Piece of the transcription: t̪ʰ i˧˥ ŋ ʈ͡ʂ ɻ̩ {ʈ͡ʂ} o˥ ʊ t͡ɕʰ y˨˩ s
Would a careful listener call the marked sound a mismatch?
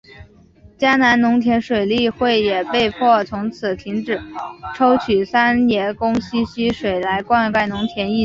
yes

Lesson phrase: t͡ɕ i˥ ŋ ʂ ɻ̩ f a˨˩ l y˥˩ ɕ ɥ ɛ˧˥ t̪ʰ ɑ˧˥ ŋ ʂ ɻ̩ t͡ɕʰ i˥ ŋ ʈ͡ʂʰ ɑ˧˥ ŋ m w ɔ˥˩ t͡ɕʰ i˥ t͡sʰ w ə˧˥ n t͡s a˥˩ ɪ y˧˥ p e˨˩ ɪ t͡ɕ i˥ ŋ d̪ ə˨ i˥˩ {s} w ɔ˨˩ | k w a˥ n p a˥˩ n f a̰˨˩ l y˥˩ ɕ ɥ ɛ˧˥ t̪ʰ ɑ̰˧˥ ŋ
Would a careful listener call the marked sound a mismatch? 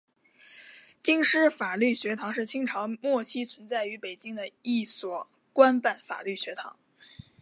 no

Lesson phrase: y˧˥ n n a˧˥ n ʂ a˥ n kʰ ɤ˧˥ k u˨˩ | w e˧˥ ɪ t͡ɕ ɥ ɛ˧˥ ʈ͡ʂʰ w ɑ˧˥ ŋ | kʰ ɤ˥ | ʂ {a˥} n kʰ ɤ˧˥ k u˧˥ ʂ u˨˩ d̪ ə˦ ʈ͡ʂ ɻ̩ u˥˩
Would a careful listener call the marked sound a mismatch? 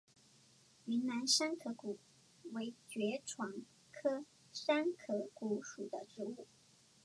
no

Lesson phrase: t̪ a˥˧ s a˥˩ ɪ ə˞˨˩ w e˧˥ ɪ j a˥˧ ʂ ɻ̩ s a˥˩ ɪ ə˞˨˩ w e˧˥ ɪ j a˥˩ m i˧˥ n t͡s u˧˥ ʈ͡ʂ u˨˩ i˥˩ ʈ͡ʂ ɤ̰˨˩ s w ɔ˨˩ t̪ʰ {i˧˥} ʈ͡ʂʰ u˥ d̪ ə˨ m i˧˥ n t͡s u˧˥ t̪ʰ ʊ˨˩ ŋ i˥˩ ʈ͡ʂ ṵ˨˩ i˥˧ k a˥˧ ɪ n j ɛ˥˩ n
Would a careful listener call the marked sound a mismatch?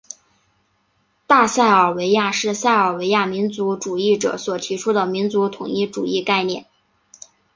no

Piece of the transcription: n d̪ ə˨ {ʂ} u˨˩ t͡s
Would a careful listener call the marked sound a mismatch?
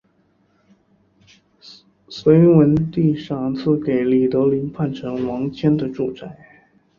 yes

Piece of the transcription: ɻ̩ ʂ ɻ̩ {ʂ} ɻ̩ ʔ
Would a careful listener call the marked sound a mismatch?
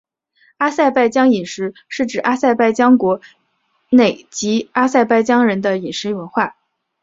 yes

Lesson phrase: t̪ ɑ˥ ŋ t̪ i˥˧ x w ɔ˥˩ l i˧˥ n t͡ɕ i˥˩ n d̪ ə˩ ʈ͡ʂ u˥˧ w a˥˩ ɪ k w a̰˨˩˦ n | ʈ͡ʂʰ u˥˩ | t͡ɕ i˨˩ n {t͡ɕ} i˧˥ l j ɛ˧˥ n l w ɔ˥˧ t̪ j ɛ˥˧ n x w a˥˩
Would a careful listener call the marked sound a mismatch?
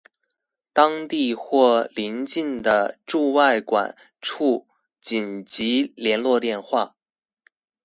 no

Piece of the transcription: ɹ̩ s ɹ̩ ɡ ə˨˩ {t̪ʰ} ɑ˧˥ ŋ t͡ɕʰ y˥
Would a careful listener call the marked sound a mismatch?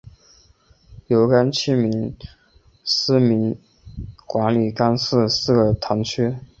no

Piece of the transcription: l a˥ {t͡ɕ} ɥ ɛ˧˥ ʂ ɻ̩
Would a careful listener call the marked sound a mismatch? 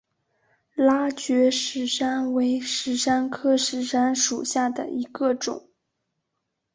no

